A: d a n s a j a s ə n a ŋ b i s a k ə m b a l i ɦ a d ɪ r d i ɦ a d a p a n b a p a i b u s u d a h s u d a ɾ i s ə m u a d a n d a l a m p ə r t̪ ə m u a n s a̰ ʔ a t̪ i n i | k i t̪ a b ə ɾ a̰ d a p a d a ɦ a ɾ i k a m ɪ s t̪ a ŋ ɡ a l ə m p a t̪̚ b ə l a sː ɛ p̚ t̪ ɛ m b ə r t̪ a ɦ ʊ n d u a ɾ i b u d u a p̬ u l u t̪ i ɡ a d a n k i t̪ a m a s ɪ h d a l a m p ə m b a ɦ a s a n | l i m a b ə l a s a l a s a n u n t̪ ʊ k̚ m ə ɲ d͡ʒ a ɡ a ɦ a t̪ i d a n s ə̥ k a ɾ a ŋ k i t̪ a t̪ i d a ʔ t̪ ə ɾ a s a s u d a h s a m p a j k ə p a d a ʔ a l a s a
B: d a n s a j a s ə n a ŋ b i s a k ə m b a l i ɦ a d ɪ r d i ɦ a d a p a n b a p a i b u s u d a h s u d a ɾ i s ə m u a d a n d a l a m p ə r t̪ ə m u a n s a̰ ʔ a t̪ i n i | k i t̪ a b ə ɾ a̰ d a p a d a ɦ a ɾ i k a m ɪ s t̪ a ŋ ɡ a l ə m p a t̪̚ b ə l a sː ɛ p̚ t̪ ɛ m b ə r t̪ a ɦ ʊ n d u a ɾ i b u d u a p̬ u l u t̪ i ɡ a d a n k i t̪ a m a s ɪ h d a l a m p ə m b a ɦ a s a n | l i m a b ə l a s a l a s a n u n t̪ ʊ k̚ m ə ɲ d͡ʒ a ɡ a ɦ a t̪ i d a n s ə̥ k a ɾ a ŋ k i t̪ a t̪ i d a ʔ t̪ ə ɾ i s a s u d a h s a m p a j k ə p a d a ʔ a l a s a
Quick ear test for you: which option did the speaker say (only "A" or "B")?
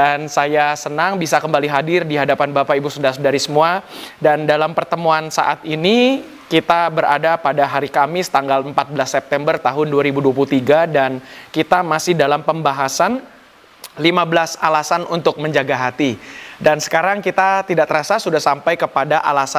A